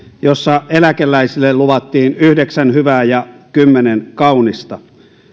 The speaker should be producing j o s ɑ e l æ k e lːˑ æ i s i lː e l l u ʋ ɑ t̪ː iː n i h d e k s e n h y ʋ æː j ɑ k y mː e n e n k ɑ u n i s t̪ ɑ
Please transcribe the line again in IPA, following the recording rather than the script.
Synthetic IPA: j o sː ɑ e l æ k e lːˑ æ i s i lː e l l u ʋ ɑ t̪ː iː n y h d e k s æ n h y ʋ æː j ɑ k y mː e n e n k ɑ u n i s t̪ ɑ